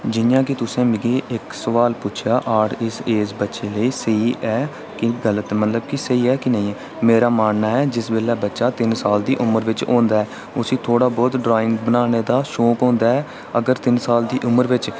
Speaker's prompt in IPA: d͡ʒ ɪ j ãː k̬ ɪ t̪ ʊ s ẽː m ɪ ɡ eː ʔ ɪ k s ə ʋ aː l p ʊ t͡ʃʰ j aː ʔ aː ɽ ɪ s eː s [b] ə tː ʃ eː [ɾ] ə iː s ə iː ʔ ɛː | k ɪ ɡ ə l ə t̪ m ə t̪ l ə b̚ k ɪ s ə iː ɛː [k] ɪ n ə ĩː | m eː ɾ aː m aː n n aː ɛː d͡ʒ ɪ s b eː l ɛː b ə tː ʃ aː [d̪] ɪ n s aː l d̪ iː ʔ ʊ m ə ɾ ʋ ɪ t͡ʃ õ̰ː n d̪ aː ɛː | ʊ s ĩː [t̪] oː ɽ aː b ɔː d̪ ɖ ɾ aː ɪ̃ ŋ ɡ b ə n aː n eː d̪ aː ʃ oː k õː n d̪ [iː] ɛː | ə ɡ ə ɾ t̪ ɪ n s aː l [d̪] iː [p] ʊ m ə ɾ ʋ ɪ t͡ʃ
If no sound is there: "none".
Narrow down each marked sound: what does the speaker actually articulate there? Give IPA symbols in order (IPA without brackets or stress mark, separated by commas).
b, l, k, t̪, t̪ʰ, aː, d̪, ʔ